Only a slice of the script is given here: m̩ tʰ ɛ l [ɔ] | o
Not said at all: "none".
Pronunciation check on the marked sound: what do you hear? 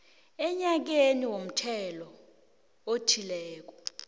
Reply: ɔ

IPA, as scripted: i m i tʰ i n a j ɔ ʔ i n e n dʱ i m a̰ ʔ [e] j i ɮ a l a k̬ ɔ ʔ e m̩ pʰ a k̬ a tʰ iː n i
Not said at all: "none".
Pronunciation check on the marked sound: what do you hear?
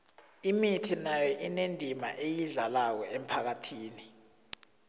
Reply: e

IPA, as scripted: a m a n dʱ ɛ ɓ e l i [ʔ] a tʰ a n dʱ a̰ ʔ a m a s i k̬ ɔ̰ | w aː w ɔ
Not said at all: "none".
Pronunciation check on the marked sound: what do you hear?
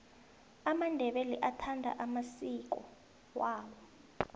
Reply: ʔ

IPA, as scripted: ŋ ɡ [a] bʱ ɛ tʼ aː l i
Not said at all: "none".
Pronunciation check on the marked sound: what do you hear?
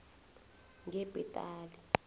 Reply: ɛ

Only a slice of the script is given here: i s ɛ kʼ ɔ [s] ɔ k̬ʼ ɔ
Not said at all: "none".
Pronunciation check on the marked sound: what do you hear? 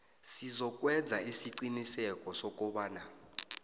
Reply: s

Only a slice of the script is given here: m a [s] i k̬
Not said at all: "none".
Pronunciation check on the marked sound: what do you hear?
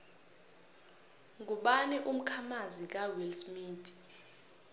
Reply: z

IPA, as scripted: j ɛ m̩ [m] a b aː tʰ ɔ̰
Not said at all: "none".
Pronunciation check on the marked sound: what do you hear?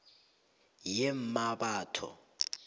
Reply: m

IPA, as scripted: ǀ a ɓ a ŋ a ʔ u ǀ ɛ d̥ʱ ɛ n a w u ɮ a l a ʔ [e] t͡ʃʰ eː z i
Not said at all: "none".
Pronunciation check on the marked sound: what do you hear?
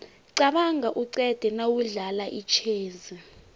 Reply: i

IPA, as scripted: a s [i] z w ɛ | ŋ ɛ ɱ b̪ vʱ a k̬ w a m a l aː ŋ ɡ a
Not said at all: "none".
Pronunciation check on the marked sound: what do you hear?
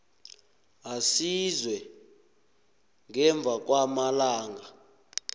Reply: i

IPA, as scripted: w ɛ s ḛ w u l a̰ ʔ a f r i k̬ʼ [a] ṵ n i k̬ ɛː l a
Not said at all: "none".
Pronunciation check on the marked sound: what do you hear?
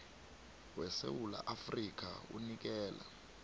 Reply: a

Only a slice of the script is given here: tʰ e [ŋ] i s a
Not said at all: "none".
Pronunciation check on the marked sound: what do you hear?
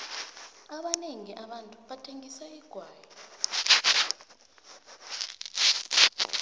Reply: ŋ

